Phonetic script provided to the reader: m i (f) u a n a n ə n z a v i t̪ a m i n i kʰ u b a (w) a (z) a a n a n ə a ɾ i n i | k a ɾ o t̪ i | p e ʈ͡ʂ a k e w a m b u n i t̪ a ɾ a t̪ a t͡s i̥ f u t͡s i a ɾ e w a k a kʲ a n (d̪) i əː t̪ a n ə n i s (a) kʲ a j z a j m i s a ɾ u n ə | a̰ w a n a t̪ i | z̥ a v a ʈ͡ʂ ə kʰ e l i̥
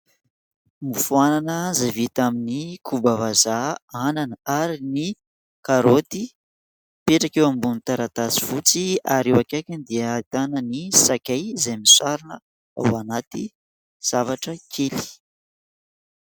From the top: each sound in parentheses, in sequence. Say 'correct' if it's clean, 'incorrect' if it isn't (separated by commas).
correct, incorrect, correct, correct, correct